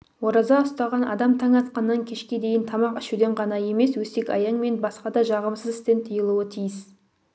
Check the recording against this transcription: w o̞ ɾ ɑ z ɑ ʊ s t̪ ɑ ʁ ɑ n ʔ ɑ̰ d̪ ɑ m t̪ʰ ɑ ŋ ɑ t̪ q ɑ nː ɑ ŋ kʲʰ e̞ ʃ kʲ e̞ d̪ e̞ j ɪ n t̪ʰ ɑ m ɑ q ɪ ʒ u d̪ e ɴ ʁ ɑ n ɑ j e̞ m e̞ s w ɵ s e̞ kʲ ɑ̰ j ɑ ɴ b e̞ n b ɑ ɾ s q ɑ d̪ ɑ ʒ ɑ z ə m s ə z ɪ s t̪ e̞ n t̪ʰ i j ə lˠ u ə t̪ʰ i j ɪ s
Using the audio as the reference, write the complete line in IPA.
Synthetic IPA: w o̞ ɾ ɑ z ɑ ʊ s t̪ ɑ ʁ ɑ n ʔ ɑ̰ d̪ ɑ m t̪ʰ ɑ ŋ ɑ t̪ q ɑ nː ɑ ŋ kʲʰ e̞ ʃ kʲ e̞ d̪ e̞ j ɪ n t̪ʰ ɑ m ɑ q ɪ ʃ u d̪ e ɴ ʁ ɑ n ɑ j e̞ m e̞ s w ɵ s e̞ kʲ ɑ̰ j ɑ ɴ m e̞ n b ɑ s q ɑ d̪ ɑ ʒ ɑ ʁ ə m s ə z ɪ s t̪ e̞ n t̪ʰ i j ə lˠ u ə t̪ʰ i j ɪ s